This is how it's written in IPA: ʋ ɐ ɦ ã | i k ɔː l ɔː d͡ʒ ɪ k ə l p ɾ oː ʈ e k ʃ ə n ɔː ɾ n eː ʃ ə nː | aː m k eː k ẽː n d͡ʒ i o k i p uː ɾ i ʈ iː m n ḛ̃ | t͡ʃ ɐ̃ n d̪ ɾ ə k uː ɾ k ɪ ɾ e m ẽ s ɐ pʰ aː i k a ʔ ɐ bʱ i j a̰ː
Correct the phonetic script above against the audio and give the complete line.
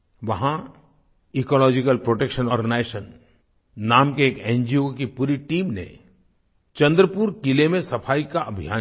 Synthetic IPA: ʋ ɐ ɦ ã | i k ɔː l ɔː d͡ʒ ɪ k ə l p ɾ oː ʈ e k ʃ ə n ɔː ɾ n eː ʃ ə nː | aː m k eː k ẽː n d͡ʒ i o k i p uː ɾ i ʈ iː m n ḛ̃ | t͡ʃ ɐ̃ n d̪ ɾ ə p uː ɾ k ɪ l e m ẽ s ɐ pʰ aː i k a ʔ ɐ bʱ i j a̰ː